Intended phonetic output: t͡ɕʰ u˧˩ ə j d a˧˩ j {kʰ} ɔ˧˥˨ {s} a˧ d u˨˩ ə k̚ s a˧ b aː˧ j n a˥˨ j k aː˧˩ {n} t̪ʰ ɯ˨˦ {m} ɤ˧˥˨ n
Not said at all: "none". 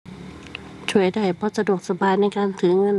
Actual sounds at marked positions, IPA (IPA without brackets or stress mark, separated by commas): pʰ, s, n, ŋ